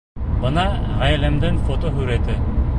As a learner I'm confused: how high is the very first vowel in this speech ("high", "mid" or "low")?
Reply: mid